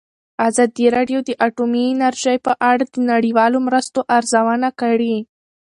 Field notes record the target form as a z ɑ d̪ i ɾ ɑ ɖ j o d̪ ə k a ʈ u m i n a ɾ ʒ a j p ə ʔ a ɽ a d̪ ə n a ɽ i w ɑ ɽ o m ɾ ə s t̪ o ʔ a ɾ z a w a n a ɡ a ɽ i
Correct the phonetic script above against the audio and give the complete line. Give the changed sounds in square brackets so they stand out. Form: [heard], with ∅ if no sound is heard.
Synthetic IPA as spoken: a z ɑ d̪ i ɾ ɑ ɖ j o d̪ ə [ʔ] a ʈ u m i n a ɾ ʒ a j p ə ʔ a ɽ a d̪ ə n a ɽ i w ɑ [l] o m ɾ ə s t̪ o ʔ a ɾ z a w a n a [k] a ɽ i